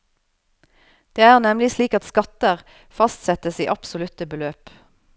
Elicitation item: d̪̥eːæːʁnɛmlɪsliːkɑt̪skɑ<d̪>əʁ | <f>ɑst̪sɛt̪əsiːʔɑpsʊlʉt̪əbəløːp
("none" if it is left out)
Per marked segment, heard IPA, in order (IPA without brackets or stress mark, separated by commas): t̪, f